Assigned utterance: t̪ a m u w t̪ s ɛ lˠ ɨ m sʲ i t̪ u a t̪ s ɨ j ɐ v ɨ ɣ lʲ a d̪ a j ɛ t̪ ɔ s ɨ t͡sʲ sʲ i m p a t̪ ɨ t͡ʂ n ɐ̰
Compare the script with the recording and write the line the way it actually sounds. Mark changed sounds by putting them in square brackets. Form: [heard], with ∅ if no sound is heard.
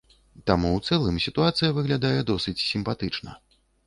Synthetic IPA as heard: t̪ a m u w t̪ s ɛ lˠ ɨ m sʲ i t̪ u a t̪ s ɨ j ɐ v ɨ ɣ lʲ a d̪ a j ɛ [d̪] ɔ s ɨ t͡sʲ sʲ i m p a t̪ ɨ t͡ʂ n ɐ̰